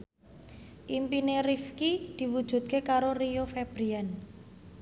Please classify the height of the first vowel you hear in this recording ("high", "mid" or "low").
high